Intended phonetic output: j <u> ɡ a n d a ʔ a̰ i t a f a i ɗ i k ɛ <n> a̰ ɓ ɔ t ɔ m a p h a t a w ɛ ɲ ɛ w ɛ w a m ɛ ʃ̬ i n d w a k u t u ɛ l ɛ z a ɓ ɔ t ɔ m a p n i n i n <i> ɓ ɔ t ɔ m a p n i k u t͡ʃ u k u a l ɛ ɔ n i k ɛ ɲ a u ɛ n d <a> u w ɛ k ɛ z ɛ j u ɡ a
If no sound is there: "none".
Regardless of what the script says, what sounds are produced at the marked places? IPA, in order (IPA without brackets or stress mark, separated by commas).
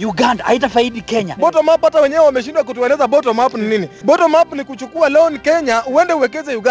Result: u, ɲ, i, ɛ